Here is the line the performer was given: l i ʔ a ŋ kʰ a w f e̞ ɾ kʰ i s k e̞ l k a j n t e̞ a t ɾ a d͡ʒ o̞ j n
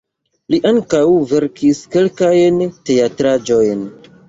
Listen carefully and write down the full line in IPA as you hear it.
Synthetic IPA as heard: l i ʔ a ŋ k a w v e̞ ɾ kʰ i s k e̞ l k a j n t e̞ a t ɾ a d͡ʒ o̞ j n